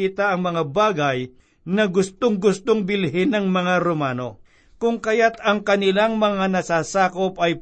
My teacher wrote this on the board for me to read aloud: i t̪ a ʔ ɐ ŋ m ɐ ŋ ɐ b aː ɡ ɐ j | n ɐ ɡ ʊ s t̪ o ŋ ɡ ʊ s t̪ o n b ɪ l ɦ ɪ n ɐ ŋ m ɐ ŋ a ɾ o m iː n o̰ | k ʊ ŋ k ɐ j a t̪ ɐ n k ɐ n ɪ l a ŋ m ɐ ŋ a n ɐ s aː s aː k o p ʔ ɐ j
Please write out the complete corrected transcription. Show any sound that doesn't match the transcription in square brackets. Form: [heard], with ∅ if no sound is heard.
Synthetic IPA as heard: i t̪ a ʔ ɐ ŋ m ɐ ŋ [a] b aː ɡ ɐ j | n ɐ ɡ ʊ s t̪ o ŋ ɡ ʊ s t̪ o [ŋ] b ɪ l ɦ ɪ n ɐ ŋ m ɐ ŋ a ɾ o m [aː] n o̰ | k ʊ ŋ k ɐ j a t̪ ɐ [ŋ] k ɐ n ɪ l a ŋ m ɐ ŋ a n ɐ s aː s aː k o p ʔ ɐ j